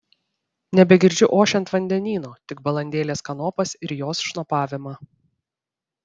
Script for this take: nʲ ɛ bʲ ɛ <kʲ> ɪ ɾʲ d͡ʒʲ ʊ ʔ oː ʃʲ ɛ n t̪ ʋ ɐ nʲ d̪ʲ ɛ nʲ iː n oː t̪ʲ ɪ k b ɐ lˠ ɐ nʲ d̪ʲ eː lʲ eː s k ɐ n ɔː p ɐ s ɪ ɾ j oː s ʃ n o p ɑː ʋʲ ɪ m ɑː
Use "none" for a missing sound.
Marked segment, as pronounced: ɡʲ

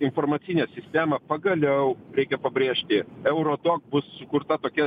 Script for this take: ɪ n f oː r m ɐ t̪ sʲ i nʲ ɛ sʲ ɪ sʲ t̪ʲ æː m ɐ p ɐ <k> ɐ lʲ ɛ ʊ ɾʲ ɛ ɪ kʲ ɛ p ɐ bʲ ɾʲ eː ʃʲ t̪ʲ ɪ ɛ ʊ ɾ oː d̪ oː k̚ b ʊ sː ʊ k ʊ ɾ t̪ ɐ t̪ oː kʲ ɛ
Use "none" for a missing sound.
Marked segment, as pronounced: ɡ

